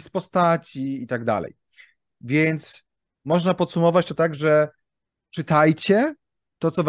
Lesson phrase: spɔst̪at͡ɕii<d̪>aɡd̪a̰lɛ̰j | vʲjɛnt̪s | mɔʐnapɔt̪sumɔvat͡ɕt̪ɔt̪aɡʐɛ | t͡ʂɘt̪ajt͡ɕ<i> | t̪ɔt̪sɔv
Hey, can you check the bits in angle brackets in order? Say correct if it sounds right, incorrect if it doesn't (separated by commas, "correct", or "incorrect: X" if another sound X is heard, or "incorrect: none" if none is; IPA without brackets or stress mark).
incorrect: t̪, incorrect: ɛ